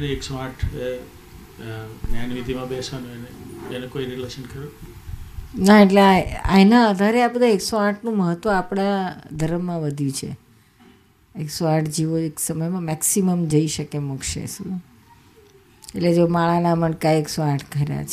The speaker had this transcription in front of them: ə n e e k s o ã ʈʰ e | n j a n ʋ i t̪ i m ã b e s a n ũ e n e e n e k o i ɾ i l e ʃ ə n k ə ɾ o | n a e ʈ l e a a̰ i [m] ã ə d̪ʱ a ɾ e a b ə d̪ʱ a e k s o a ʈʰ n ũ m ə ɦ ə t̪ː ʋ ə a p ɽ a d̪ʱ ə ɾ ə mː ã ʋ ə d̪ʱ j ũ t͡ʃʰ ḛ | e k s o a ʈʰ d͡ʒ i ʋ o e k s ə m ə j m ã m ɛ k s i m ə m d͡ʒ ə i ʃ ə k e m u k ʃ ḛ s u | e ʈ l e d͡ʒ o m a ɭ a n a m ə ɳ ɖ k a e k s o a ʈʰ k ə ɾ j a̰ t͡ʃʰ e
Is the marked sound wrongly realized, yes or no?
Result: yes